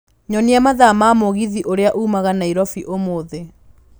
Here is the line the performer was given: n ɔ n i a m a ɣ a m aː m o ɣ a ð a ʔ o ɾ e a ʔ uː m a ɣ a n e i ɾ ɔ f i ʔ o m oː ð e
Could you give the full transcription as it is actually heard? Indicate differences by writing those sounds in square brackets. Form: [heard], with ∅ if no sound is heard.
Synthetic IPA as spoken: [ɲ] ɔ n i a m a [ð] a m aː m o ɣ [i] ð [i] ʔ o ɾ e a ʔ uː m a ɣ a n [a] i ɾ ɔ f i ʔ o m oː ð e